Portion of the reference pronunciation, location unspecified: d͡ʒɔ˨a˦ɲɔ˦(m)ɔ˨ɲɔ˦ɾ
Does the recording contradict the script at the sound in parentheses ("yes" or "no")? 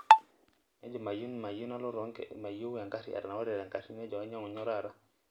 yes